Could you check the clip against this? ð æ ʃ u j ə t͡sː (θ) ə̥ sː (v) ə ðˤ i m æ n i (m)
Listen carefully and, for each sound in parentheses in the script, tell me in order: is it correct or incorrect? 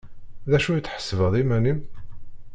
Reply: incorrect: ħ, correct, correct

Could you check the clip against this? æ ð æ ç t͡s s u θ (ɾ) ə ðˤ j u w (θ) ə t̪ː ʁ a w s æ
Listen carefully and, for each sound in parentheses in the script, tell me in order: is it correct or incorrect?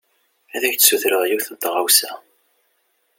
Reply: correct, correct

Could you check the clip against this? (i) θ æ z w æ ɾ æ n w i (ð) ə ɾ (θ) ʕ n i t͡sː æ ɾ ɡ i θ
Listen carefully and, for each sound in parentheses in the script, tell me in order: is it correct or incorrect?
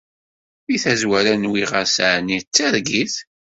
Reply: correct, incorrect: ʁ, incorrect: s

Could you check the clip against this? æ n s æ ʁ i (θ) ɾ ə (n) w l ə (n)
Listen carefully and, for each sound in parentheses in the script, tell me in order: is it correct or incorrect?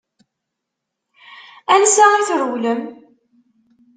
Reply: correct, incorrect: none, incorrect: m

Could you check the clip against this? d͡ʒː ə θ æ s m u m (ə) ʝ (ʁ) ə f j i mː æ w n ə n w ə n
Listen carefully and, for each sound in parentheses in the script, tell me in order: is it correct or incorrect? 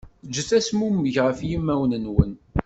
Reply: correct, correct

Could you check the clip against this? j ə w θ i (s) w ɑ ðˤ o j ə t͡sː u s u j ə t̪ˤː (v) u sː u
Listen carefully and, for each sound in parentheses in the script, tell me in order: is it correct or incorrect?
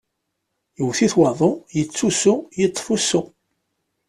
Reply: incorrect: θ, incorrect: f

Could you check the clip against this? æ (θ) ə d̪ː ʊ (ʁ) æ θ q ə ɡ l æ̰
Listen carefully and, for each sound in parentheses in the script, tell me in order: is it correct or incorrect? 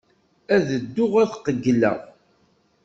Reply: incorrect: ð, correct

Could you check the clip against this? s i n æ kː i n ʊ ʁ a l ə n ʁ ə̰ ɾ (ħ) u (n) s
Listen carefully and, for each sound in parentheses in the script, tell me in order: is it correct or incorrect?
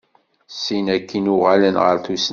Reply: incorrect: θ, incorrect: none

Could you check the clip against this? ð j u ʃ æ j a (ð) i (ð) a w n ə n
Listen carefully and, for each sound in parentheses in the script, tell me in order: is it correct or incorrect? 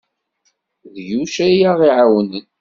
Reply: incorrect: ʁ, incorrect: ʕ

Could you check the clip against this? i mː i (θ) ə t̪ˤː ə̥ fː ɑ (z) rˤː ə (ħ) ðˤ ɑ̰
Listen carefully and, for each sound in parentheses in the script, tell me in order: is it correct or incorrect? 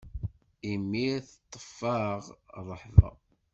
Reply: correct, incorrect: ʁ, correct

